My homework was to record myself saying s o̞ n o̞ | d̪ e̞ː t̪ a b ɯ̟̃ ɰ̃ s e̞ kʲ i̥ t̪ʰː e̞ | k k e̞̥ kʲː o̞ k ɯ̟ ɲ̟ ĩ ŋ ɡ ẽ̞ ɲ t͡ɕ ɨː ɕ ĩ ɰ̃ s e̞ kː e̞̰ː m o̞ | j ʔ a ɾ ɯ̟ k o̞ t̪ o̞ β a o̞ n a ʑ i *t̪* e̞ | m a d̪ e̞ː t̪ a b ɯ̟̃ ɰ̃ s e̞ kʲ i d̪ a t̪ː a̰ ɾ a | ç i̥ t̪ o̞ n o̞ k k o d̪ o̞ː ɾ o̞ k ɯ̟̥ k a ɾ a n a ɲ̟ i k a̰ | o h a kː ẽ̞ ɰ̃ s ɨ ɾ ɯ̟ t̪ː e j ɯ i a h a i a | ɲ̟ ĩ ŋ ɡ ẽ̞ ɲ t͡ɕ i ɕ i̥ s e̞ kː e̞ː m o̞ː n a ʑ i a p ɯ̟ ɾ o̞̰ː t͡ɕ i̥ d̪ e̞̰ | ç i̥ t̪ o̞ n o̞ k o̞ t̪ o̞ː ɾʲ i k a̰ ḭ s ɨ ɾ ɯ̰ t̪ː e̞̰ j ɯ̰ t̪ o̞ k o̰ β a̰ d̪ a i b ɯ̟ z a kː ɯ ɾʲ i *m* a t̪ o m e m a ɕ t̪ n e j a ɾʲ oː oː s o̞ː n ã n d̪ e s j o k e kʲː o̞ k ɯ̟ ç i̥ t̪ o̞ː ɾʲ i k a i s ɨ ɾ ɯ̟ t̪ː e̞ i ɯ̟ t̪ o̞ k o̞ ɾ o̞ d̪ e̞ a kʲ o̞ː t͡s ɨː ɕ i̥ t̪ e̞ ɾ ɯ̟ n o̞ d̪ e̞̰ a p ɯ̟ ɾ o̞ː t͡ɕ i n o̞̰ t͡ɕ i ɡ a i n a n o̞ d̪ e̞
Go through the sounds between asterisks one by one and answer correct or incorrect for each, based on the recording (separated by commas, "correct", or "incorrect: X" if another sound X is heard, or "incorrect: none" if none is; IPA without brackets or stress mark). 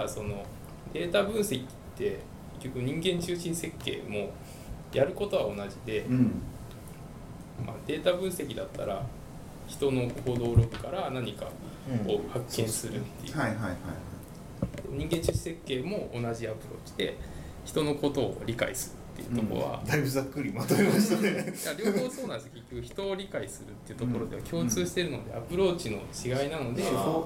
incorrect: d̪, correct